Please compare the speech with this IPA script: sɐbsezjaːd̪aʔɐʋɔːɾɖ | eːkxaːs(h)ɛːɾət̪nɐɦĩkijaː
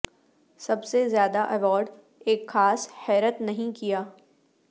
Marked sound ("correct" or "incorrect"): correct